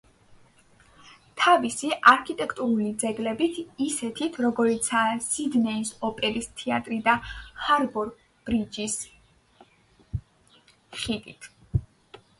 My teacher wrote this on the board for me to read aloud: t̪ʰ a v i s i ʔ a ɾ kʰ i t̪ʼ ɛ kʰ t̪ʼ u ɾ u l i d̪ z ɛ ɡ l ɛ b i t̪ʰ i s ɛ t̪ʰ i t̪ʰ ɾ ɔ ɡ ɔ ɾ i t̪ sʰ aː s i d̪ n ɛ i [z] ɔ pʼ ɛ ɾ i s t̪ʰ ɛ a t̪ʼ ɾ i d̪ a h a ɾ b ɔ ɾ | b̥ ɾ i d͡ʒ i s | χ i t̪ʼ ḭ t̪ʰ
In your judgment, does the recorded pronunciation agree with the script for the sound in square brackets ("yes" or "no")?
no